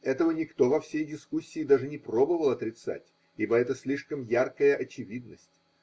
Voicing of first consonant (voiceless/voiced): voiceless